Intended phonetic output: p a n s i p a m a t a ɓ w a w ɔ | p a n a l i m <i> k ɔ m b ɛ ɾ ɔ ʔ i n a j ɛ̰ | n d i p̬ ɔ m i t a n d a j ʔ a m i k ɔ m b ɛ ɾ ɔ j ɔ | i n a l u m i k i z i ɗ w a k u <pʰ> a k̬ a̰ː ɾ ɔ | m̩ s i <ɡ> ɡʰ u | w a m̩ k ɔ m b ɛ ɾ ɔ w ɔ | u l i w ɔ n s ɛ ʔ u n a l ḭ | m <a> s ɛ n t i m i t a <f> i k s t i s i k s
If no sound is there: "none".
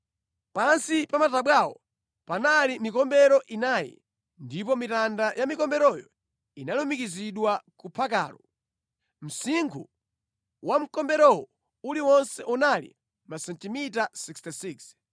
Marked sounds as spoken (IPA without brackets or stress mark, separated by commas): i, pʰ, ŋ, a, s